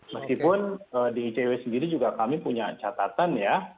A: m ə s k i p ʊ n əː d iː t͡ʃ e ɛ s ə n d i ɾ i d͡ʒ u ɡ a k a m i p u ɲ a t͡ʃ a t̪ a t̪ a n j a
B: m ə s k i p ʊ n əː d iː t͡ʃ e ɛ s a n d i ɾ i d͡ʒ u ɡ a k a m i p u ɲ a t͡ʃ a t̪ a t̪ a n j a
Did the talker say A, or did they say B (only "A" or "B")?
A